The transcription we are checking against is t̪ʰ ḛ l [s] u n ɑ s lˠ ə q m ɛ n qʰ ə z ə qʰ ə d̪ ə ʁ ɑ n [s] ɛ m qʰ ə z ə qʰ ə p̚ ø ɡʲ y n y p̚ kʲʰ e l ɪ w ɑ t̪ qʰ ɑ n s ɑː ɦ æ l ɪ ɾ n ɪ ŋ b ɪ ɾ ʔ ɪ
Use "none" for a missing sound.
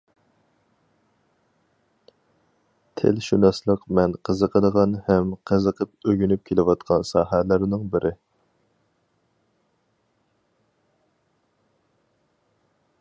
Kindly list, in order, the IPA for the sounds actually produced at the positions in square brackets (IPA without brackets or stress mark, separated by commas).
ʃ, h